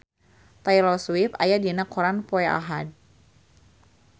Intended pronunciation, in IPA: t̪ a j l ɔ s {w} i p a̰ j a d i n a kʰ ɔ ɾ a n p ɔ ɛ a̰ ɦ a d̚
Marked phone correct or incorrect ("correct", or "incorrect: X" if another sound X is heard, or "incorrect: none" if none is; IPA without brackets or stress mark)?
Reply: correct